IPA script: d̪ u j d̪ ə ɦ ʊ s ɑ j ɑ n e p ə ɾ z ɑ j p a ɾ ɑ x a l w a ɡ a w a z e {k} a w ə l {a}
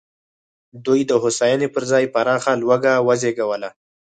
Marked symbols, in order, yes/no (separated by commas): no, yes